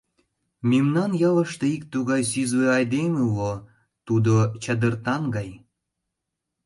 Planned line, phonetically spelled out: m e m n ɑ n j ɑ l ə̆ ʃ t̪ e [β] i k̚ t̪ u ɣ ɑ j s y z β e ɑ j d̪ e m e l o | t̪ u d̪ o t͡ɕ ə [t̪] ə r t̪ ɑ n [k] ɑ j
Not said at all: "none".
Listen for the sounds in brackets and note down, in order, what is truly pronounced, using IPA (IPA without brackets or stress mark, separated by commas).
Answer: none, d̪, ɡ